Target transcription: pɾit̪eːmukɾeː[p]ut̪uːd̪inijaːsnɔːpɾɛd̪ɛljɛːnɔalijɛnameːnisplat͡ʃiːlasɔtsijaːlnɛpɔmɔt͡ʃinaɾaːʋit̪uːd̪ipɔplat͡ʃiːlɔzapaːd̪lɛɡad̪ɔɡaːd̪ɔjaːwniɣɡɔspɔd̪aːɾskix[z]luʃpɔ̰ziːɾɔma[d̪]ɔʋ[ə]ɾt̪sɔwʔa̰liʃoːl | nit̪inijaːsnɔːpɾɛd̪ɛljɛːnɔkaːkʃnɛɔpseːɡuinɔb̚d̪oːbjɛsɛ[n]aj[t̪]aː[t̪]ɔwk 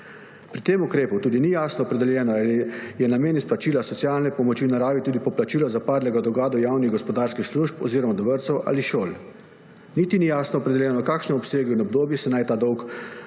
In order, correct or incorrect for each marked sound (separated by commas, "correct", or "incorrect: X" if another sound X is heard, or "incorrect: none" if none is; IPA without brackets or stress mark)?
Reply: correct, incorrect: s, correct, correct, correct, correct, incorrect: d̪